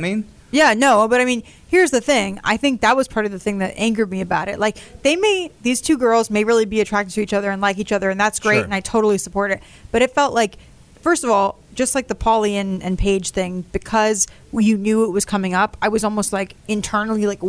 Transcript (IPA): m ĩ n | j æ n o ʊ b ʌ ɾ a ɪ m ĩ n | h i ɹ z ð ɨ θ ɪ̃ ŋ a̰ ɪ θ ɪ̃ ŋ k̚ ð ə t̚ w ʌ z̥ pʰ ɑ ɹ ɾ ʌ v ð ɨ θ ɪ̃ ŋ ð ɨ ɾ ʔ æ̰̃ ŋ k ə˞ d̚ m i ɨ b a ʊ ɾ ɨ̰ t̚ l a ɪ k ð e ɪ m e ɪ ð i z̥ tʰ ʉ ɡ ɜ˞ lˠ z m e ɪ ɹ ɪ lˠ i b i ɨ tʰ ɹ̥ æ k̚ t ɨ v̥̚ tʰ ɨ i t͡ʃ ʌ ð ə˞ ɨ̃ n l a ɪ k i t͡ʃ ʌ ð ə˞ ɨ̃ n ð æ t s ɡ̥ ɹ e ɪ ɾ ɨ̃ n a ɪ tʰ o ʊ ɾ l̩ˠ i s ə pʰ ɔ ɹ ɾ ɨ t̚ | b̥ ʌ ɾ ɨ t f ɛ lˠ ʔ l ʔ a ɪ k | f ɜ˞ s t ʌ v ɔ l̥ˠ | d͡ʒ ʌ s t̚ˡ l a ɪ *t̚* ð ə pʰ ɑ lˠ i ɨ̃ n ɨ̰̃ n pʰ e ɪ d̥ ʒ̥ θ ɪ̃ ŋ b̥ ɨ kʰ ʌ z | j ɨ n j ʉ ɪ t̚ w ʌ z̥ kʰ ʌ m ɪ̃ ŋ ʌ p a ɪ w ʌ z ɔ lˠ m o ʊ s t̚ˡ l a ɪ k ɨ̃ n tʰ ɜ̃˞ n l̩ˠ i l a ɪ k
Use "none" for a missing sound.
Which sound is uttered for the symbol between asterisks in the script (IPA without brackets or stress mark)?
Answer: k̚